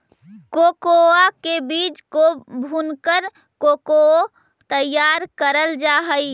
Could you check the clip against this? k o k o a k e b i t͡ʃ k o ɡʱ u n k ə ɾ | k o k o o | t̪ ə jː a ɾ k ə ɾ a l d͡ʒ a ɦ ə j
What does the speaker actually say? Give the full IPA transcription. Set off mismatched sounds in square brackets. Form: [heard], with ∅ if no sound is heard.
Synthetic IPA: k o k o a k e b i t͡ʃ k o [bʱ] u n k ə ɾ | k o k o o | t̪ ə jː a ɾ k ə ɾ [ə] l d͡ʒ a ɦ ə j